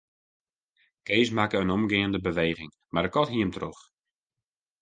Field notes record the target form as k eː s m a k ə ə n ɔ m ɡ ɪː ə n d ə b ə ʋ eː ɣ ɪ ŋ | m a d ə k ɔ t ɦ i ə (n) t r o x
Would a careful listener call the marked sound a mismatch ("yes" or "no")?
yes